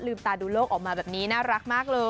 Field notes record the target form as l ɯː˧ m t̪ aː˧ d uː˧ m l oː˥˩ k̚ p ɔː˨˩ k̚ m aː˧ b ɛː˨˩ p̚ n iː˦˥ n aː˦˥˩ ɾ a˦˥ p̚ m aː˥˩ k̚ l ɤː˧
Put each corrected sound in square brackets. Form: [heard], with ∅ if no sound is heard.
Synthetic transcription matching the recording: l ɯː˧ m t̪ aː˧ d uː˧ [∅] l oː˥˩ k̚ [ʔ] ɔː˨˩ k̚ m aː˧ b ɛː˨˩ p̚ n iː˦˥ n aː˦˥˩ ɾ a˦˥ [k̚] m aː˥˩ k̚ l ɤː˧